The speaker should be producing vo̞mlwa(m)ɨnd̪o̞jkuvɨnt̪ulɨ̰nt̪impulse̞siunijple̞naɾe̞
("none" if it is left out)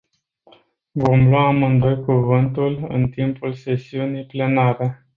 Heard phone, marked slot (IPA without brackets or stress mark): m